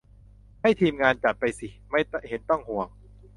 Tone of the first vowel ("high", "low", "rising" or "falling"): falling